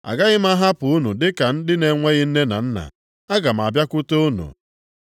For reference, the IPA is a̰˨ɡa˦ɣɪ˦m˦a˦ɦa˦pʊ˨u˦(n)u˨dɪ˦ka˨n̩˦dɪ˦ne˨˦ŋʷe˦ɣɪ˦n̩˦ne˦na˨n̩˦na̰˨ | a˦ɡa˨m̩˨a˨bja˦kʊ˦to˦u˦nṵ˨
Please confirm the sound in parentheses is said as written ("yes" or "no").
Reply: yes